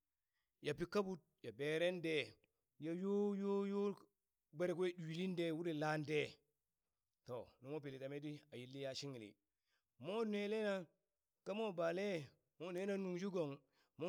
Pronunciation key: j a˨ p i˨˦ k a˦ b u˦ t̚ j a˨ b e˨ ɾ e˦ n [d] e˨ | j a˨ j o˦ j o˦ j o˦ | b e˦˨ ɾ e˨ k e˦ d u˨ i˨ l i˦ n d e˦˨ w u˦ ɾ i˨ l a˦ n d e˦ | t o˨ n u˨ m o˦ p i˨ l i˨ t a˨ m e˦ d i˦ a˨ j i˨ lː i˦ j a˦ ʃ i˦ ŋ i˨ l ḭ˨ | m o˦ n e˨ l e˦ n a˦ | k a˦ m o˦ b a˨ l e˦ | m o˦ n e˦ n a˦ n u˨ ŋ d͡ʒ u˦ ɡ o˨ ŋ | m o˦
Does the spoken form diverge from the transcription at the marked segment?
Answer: no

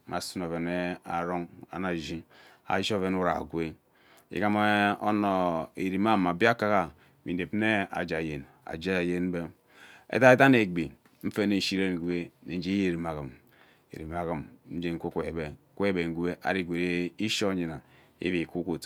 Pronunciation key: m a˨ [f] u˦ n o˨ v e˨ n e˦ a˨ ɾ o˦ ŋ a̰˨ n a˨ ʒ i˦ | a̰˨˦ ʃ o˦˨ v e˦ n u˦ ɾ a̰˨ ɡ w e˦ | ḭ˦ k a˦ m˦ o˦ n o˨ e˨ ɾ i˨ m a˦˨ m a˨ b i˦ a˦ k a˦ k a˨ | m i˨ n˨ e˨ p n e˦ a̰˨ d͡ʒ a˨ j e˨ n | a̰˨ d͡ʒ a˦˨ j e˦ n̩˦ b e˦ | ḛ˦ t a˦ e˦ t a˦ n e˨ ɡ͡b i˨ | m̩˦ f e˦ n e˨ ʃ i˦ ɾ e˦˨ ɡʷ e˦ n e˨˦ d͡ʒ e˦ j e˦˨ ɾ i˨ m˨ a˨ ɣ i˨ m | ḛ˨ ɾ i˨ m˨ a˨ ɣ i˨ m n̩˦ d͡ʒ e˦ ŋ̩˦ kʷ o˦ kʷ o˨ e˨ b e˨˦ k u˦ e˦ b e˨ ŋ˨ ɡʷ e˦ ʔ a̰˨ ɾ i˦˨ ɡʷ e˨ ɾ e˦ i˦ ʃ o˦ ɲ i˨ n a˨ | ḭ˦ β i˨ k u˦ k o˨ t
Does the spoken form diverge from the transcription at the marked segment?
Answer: yes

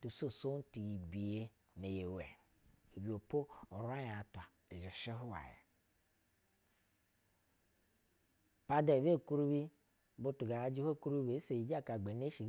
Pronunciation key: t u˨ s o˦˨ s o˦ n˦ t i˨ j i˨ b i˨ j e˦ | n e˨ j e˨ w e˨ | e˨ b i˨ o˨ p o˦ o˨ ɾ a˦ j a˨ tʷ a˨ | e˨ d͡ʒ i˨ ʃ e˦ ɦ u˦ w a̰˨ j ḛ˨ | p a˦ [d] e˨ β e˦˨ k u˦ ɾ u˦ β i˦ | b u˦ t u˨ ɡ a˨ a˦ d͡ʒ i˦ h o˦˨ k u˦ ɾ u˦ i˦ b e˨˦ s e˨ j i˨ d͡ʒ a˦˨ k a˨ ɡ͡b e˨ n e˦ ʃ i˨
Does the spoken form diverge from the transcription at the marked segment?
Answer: no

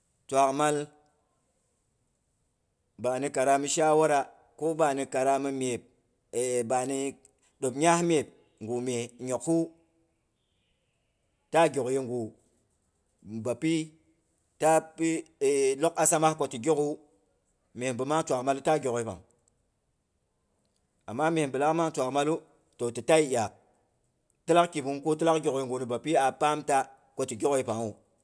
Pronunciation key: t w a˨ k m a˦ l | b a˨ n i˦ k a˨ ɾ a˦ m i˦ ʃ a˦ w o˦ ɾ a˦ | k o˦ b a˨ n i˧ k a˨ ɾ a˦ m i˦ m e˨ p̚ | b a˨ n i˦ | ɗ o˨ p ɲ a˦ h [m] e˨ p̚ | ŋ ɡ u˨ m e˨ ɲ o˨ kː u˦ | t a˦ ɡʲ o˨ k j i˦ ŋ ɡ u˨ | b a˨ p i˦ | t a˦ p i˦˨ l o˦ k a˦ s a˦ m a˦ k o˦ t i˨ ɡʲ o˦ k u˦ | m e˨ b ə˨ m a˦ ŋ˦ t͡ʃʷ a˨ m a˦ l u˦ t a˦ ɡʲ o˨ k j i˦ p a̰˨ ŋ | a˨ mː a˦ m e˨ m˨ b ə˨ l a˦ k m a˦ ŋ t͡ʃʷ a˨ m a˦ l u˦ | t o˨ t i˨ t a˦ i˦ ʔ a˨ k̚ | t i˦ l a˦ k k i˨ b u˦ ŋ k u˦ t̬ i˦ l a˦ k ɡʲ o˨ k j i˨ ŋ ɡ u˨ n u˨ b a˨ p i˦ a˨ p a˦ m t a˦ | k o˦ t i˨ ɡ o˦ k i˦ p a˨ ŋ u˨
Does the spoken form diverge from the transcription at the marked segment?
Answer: no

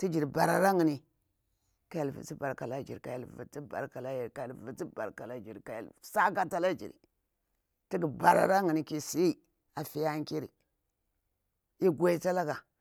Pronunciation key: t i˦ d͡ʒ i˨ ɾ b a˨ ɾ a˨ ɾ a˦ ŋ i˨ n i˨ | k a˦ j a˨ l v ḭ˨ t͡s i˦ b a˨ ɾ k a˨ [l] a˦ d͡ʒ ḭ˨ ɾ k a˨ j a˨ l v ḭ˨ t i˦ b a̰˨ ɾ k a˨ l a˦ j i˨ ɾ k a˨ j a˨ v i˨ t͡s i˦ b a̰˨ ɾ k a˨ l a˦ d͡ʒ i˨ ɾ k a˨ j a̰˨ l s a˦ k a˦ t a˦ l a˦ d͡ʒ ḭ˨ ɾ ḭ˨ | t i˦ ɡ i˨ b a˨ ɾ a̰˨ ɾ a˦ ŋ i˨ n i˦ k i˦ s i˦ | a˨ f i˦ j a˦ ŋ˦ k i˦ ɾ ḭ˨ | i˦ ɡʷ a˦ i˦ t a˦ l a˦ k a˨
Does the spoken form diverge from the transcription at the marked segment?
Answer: no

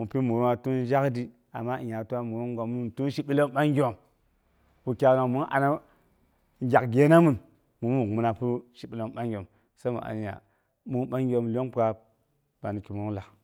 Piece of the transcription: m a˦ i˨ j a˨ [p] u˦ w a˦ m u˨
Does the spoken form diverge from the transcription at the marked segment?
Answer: yes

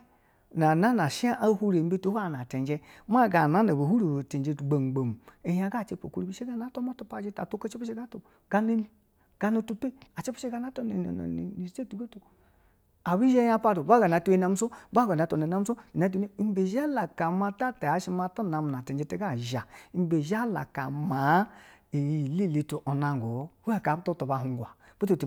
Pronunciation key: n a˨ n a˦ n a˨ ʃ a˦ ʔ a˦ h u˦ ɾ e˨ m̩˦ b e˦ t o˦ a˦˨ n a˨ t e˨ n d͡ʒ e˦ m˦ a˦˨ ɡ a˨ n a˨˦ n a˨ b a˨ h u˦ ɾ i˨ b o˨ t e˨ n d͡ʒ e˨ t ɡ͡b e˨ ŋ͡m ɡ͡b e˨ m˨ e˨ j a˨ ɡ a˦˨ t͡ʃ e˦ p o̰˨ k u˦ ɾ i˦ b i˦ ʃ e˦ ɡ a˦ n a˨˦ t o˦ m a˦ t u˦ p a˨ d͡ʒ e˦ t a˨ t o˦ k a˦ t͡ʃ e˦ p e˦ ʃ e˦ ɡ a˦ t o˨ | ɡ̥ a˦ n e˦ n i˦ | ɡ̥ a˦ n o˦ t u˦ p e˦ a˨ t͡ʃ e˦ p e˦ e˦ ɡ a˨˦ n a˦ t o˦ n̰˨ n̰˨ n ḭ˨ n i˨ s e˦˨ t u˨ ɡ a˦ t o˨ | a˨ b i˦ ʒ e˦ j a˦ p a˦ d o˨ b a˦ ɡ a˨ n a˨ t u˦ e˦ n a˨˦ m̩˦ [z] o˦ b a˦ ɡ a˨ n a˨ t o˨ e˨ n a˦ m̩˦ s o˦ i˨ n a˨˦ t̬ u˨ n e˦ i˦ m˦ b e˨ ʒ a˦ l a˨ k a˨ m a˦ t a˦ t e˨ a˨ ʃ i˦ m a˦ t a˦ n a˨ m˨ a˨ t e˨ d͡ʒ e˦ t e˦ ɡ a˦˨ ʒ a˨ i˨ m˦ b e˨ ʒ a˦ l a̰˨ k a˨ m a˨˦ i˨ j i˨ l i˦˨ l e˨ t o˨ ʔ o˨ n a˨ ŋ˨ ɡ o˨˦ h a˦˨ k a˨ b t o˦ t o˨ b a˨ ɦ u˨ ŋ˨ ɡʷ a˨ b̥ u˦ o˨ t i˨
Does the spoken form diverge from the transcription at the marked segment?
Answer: yes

